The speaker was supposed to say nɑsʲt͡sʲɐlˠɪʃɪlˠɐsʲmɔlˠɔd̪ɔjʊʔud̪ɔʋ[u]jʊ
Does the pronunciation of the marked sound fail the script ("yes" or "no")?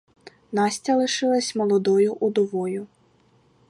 yes